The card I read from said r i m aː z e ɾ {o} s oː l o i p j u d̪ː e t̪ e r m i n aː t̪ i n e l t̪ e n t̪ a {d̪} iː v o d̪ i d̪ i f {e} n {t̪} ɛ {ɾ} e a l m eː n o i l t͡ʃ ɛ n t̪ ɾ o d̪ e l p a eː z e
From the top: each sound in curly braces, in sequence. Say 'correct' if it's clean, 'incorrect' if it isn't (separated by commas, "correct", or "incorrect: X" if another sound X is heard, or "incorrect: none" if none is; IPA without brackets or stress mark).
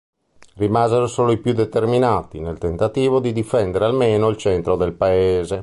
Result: correct, incorrect: t̪, incorrect: ɛ, incorrect: d̪, correct